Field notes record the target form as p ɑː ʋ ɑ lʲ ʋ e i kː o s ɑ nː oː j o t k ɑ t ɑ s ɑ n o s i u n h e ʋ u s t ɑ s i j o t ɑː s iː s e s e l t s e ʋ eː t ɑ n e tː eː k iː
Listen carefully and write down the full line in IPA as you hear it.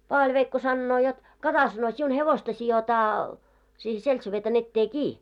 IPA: p ɑː ʋ ɑ lʲ ʋ e i kː o s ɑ nː oː j o t k ɑ t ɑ s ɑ n o s i u n h e ʋ o s t ɑ s i j o t ɑː s iː h e s e l t s e ʋ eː t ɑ n e tː eː k iː